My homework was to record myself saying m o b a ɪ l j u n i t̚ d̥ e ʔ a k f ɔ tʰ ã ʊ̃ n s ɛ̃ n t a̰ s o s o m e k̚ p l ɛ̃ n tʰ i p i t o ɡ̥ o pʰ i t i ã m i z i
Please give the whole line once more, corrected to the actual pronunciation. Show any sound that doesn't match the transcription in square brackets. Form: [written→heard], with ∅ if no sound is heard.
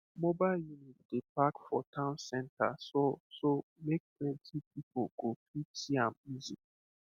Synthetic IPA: m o b a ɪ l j u n i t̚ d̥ e [ʔ→p] a k f ɔ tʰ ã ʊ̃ n s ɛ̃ n t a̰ s o s o m e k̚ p l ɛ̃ n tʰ i p i [t→p] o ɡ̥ o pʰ i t i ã m i z i